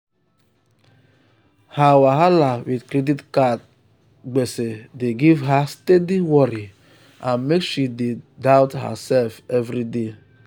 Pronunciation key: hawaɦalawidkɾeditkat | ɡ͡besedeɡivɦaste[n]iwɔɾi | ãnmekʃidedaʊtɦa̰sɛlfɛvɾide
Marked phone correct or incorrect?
incorrect